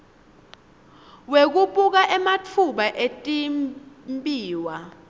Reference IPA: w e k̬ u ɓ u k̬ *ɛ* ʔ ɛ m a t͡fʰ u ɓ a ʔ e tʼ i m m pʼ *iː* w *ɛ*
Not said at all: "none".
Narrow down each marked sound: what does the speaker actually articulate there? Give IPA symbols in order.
a, iː, a

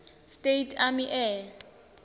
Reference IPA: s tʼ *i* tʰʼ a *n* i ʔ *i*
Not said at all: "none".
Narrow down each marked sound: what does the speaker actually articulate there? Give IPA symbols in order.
e, m, ɛ

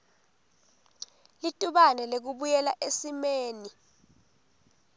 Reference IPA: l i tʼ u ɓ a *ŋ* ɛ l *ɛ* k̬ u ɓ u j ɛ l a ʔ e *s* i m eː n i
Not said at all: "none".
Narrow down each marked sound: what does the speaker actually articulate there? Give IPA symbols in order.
n, e, s

